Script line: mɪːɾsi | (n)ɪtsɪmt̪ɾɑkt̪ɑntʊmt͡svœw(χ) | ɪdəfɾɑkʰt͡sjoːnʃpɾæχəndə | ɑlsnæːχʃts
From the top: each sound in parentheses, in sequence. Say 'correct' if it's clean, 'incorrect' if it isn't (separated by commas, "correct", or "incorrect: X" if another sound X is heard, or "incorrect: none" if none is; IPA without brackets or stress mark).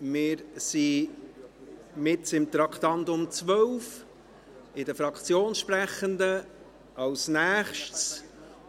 incorrect: m, incorrect: f